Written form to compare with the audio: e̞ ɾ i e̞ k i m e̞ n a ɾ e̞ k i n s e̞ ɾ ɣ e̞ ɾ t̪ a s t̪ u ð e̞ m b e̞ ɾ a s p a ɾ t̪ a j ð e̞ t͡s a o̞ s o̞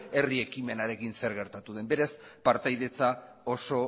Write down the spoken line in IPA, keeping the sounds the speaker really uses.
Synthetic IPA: e̞ r i e̞ k i m e̞ n a ɾ e̞ k i n s e̞ ɾ ɣ e̞ ɾ t̪ a t̪ u ð e̞ m b e̞ ɾ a s p a ɾ t̪ a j ð e̞ t͡s a o̞ s o̞